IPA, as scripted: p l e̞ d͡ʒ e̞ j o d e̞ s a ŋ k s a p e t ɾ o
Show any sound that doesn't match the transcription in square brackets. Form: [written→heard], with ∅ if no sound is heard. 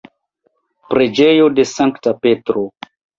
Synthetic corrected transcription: p [l→ɾ] e̞ d͡ʒ e̞ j o d e̞ s a ŋ k [s→t] a p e t ɾ o